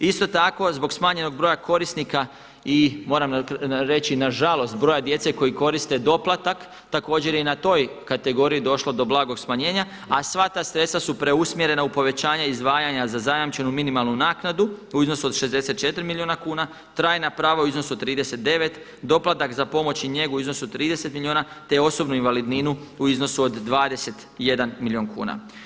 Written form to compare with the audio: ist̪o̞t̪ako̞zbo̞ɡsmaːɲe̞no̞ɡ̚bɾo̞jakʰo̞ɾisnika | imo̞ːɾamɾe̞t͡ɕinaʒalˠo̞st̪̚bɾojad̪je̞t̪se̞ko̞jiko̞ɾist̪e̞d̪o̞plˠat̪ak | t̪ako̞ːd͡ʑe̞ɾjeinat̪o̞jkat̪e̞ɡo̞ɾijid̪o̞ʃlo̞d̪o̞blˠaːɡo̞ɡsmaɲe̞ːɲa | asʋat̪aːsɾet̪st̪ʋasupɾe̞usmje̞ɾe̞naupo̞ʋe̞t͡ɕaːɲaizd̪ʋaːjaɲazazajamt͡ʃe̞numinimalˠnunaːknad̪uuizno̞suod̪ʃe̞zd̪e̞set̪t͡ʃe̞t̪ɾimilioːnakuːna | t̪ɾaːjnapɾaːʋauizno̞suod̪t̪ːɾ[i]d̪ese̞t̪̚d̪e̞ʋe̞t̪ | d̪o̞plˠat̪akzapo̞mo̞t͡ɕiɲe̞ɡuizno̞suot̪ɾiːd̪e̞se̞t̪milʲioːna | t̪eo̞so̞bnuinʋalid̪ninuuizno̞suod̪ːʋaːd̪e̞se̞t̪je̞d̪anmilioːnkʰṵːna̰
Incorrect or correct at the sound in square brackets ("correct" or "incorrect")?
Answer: incorrect